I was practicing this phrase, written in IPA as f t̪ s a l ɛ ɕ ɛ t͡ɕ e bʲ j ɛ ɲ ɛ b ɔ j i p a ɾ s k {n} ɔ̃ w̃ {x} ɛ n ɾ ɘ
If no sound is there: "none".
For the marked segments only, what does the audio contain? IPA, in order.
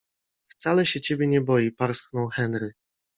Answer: n, x

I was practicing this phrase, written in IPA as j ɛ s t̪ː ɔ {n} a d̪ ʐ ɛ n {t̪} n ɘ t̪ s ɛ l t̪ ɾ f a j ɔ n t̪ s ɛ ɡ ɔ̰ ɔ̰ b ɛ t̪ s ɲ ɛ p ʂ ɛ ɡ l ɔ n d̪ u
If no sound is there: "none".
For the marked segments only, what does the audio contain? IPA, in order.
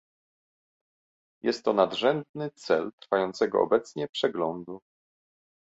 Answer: n, d̪

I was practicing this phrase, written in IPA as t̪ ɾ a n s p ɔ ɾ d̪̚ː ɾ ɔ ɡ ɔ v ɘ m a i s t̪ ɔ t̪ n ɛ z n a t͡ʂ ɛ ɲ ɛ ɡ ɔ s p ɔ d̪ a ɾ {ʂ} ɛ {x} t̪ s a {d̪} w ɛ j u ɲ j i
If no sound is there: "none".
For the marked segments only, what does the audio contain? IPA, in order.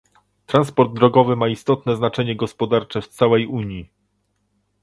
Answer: t͡ʂ, f, none

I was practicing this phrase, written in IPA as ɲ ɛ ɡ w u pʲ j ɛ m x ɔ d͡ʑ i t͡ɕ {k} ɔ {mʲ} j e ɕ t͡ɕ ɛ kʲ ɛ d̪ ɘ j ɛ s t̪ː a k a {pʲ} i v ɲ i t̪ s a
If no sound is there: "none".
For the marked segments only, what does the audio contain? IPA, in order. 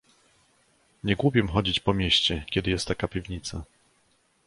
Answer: p, mʲ, pʲ

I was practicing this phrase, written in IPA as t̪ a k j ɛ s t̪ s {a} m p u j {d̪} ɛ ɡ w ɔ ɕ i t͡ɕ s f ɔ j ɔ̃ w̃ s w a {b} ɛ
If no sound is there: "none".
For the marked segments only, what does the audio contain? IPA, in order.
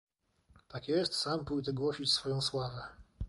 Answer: a, t̪, v

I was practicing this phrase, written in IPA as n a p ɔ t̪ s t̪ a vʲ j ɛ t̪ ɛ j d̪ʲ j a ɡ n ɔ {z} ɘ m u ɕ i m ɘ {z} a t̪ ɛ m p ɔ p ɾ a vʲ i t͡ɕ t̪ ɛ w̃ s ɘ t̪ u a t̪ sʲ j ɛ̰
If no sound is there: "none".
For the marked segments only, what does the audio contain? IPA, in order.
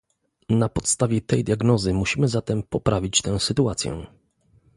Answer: z, z

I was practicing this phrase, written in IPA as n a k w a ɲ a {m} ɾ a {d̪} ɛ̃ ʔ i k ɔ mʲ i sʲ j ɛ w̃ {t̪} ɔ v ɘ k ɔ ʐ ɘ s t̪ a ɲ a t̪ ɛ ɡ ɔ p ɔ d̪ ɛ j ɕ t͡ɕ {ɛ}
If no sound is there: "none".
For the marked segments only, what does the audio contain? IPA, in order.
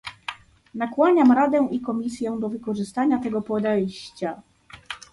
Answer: m, d̪, d̪, a

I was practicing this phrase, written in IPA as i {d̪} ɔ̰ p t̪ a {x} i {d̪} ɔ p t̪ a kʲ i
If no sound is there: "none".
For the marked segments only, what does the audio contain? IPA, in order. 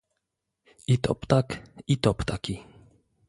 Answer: t̪, k, t̪

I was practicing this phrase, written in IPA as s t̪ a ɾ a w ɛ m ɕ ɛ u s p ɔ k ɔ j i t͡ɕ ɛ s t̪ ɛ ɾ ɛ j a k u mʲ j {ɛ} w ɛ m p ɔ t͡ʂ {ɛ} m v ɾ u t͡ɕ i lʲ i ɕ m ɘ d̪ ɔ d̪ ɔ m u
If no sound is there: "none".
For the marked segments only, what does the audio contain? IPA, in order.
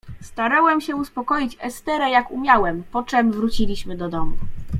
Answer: a, ɛ

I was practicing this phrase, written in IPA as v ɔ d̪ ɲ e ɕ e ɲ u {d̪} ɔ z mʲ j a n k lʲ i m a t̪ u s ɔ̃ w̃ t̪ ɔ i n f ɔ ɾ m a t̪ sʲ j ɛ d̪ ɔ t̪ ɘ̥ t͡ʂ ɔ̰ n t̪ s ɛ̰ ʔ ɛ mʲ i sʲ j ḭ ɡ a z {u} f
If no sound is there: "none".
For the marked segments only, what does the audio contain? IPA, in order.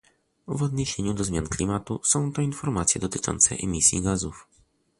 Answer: d̪, u

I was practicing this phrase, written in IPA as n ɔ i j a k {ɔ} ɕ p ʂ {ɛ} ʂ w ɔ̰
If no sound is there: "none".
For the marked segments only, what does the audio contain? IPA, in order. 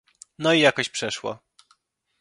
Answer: ɔ, ɛ

